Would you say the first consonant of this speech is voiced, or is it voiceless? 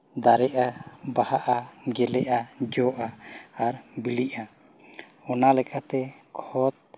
voiced